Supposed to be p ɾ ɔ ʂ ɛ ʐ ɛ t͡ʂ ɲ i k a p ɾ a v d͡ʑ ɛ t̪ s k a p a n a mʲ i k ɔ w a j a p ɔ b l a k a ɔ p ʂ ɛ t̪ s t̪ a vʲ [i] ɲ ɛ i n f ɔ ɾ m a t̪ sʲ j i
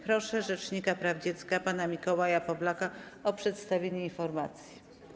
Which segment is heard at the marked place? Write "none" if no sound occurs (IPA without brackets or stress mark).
e